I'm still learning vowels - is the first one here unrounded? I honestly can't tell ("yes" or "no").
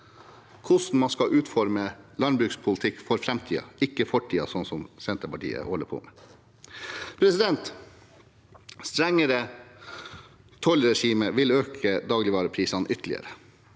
no